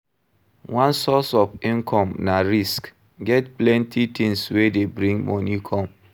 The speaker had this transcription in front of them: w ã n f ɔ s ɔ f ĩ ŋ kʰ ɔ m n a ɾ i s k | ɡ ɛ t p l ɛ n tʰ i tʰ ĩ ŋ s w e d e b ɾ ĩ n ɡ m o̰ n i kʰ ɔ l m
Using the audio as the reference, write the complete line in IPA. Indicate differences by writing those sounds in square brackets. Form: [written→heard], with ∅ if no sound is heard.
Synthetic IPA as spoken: w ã n [f→s] ɔ s ɔ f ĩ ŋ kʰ ɔ m n a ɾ i s k | ɡ ɛ t p l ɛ n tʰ i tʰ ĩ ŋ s w e d e b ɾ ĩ [n→ŋ] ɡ m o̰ n i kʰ ɔ [l→∅] m